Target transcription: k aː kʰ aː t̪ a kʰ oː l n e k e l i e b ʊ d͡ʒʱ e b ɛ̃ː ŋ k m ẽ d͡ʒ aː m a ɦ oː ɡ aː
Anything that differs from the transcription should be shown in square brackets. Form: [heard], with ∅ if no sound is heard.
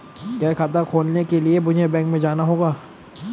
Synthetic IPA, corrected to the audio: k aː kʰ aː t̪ a kʰ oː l n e k e l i e b ʊ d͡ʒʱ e b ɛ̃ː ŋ k m ẽ d͡ʒ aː [n] a ɦ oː ɡ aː